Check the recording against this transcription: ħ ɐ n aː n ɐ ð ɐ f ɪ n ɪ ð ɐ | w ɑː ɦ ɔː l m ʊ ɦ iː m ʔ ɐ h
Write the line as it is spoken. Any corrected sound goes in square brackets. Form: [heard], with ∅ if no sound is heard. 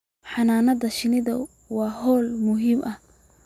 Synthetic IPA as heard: ħ [ɑ] n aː n ɐ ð ɐ [ʃ] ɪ n ɪ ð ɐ | w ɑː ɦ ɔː l m ʊ ɦ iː m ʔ ɐ h